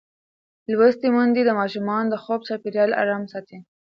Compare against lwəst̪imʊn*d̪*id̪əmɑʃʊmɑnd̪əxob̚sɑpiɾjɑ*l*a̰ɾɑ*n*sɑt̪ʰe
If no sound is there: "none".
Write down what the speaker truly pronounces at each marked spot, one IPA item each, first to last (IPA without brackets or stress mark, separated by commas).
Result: d̪, l, m